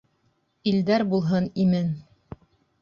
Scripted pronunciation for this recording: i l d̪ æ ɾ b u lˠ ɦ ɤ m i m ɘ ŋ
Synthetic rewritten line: i l d̪ æ ɾ b u lˠ ɦ ɤ n i m ɘ n

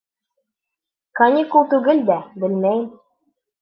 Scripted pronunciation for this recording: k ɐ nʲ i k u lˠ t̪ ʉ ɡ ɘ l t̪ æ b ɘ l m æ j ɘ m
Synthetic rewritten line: k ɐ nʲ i k u lˠ t̪ ʉ ɡ ɘ l d̪ æ b ɘ l m æ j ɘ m

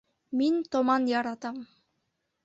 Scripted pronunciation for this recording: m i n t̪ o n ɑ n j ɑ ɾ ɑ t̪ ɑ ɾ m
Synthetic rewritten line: m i n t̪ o m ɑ n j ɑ ɾ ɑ t̪ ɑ m

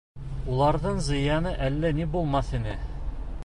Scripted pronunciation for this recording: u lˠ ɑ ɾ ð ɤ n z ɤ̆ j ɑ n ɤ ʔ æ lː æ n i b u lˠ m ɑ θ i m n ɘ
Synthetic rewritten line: u lˠ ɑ ɾ ð ɤ ɴ z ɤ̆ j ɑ n ɤ ʔ æ lː æ n i b u lˠ m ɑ θ i n ɘ

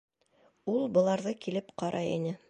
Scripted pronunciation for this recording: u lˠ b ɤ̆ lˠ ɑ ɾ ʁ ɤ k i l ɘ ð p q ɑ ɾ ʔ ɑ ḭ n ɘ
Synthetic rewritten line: u lˠ b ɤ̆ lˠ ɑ ɾ ð ɤ k i l ɘ p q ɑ ɾ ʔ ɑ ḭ n ɘ

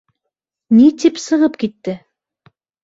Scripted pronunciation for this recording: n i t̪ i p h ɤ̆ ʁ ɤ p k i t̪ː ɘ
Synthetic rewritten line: n i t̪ i p s ɤ̆ ʁ ɤ p k i t̪ː ɘ

